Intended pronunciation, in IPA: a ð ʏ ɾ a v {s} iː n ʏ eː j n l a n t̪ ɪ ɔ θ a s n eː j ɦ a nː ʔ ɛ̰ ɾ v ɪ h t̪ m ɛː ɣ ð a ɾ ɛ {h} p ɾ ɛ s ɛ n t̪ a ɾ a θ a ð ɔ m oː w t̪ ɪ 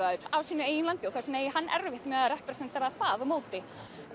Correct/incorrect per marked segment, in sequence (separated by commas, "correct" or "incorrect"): correct, correct